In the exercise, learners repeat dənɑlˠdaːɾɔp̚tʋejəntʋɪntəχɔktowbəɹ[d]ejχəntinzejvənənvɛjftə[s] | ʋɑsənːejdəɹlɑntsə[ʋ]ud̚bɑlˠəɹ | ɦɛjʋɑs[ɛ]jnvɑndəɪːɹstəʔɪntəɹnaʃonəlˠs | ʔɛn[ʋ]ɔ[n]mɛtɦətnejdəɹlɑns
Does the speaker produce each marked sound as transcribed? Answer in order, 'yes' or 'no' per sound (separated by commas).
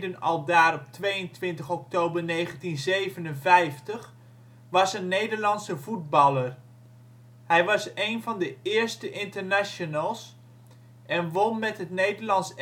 no, no, no, no, yes, yes